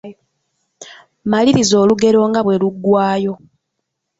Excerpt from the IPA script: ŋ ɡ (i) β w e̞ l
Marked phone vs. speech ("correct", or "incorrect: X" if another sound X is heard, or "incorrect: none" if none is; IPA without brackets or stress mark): incorrect: a